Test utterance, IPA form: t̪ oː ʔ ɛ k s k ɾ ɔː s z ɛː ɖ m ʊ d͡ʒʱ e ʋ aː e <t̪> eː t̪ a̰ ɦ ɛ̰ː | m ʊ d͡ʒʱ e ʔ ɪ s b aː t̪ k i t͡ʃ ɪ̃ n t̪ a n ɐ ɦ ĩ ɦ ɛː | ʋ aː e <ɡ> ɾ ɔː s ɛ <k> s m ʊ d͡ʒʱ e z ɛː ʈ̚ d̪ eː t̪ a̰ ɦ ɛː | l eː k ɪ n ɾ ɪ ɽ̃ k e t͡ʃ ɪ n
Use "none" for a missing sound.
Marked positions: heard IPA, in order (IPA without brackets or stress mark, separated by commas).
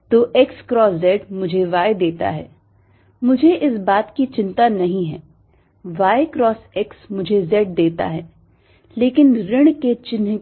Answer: d̪, k, k